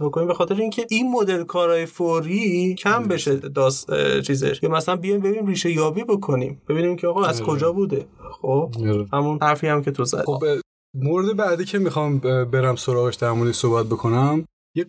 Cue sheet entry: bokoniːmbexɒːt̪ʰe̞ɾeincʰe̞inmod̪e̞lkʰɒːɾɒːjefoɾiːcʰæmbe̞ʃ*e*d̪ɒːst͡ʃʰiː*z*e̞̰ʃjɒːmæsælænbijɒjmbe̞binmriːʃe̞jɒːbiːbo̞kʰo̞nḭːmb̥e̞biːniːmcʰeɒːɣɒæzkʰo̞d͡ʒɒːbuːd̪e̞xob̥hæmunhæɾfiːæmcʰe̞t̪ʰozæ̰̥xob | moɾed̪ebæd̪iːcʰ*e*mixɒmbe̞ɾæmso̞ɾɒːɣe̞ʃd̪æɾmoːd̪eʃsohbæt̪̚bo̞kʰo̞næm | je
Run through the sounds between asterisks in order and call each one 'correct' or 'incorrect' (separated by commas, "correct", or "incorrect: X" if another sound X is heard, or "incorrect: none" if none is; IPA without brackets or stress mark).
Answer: correct, correct, correct